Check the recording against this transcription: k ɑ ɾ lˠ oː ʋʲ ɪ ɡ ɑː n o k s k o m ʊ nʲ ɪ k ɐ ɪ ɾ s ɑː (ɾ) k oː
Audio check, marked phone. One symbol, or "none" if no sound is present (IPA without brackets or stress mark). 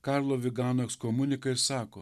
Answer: none